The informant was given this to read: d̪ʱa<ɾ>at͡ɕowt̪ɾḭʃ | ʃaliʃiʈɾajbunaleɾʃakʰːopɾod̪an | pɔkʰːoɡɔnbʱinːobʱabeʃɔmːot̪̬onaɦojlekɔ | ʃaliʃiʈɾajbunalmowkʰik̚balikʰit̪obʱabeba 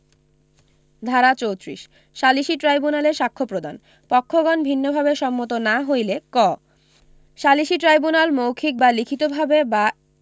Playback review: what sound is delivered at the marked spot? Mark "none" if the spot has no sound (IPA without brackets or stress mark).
ɾ